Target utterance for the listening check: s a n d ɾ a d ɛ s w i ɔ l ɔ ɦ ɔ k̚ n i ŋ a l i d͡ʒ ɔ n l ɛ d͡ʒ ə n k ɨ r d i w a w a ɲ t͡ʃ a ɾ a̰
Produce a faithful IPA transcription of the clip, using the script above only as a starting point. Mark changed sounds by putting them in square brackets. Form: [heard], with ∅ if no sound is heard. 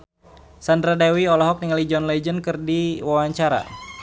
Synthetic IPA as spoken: s a n d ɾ a d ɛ [∅] w i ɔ l ɔ ɦ ɔ k̚ n i ŋ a l i d͡ʒ ɔ n l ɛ d͡ʒ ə n k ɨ r d i w a w a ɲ t͡ʃ a ɾ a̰